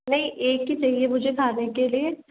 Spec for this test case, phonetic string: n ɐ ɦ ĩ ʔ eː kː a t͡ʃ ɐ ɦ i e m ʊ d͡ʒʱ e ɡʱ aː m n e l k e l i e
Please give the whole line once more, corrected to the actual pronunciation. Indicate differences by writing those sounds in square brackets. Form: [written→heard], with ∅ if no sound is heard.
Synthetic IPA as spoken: n ɐ ɦ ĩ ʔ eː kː [a→i] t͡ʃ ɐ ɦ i e m ʊ d͡ʒʱ e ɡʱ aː [m→∅] n e [l→∅] k e l i e